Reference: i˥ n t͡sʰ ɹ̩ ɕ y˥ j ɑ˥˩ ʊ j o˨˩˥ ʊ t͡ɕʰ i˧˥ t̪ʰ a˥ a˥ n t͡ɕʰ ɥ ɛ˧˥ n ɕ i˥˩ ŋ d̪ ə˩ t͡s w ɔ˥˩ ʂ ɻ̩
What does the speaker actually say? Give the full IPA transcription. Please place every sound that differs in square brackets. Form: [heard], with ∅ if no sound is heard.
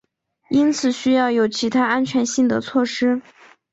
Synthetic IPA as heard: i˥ n t͡sʰ ɹ̩ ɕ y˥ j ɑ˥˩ ʊ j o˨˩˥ ʊ t͡ɕʰ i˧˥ t̪ʰ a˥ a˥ n t͡ɕʰ ɥ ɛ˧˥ n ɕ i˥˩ ŋ d̪ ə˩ [t͡sʰ] w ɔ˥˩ ʂ ɻ̩